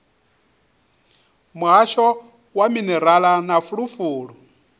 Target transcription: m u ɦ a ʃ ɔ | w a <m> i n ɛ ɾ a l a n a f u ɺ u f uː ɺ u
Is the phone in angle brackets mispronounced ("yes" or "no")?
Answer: no